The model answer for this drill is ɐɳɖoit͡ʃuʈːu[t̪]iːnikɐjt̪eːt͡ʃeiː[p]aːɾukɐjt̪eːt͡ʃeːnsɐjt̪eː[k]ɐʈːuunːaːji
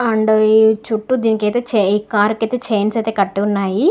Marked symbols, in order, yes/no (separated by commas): no, no, yes